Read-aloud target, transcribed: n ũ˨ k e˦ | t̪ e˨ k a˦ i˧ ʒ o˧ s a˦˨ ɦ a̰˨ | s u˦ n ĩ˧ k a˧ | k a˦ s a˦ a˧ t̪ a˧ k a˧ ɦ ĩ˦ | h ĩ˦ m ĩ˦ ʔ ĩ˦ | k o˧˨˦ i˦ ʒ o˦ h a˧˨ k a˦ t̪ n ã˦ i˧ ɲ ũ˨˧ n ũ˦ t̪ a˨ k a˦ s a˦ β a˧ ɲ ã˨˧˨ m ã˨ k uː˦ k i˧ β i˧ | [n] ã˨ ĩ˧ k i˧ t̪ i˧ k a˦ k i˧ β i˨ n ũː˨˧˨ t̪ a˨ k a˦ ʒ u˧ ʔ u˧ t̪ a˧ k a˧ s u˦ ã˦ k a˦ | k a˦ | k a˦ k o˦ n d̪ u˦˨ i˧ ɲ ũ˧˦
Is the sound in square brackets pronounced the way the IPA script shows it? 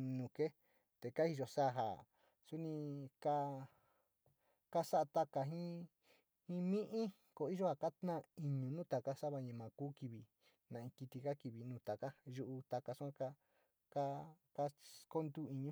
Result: yes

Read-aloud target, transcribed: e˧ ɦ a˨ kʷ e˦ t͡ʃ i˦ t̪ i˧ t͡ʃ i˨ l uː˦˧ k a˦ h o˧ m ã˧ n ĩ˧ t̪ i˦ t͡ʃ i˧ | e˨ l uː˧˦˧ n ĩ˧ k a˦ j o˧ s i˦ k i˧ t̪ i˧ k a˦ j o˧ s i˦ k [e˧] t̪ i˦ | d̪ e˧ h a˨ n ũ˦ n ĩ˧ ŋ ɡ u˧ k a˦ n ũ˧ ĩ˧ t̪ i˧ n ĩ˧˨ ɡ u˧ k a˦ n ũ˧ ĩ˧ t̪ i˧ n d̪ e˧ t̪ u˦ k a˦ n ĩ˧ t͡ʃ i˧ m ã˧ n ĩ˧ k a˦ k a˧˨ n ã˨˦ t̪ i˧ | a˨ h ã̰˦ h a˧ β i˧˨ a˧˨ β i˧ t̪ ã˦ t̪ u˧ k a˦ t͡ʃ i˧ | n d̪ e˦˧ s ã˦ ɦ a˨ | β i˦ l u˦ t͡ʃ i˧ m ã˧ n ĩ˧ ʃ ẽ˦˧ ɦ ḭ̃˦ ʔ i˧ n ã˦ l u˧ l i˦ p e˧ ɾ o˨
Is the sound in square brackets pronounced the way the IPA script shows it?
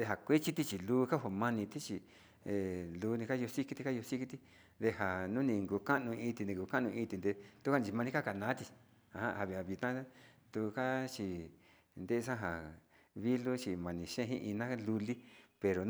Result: no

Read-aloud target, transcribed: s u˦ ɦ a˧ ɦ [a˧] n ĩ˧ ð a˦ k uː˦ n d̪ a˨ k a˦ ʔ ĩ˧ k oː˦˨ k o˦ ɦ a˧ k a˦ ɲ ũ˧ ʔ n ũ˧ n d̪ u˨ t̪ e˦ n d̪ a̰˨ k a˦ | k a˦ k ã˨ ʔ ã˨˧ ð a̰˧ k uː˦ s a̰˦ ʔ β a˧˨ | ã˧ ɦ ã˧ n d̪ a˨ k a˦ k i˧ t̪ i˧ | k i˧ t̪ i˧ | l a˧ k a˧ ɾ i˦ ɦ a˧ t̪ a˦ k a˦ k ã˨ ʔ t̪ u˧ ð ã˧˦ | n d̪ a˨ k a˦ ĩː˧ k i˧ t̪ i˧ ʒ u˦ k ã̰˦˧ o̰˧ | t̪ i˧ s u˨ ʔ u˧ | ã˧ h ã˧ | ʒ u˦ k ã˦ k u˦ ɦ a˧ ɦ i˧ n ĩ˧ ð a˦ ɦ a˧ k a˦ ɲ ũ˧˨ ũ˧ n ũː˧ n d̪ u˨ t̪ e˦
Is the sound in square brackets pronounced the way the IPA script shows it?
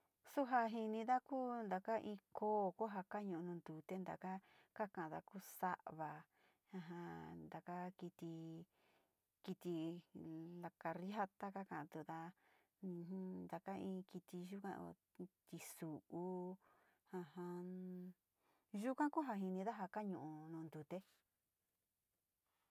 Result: no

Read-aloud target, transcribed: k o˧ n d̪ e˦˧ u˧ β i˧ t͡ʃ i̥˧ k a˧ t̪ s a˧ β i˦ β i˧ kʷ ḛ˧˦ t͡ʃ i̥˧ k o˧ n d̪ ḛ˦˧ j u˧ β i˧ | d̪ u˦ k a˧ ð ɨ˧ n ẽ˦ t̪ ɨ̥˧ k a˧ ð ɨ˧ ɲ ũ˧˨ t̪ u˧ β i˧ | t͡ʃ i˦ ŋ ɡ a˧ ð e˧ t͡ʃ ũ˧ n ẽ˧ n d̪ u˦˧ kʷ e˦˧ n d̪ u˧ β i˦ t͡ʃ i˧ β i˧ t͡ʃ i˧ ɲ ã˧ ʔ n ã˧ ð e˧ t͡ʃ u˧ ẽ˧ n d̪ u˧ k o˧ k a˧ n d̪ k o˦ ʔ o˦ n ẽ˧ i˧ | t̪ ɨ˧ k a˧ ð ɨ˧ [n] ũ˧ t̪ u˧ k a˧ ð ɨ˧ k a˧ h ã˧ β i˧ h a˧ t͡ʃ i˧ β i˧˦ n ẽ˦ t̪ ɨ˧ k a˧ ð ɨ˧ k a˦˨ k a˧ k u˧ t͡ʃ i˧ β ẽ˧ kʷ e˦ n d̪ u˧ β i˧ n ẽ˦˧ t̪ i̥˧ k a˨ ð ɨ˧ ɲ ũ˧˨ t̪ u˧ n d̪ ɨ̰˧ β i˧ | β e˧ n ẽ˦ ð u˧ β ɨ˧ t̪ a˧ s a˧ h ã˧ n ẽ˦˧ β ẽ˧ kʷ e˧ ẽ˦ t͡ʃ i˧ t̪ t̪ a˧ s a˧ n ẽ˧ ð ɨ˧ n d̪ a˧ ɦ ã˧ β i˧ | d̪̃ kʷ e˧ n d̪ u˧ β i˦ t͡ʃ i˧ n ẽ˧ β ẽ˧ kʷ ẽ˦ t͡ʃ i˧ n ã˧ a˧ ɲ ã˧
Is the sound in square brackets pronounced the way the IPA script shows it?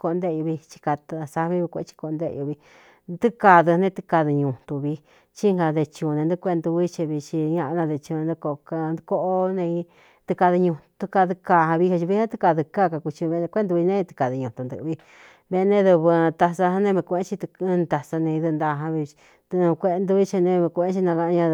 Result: no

